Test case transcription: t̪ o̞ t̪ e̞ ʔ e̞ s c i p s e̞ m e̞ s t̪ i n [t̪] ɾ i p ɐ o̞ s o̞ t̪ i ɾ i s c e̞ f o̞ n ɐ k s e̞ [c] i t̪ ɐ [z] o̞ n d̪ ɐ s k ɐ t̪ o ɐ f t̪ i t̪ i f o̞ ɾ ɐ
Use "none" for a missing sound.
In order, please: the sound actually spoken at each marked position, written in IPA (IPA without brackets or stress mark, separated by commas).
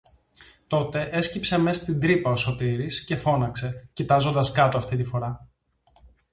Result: d̪, c, z